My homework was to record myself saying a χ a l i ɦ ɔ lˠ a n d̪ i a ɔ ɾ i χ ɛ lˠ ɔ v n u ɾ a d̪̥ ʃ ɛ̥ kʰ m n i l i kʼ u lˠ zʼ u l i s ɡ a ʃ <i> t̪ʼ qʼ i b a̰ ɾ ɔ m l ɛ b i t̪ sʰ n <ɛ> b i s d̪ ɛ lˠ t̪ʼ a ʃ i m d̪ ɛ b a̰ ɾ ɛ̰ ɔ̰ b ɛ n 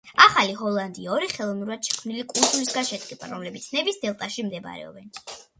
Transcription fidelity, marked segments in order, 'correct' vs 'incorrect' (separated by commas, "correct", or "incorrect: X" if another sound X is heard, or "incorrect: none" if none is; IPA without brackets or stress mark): incorrect: ɛ, correct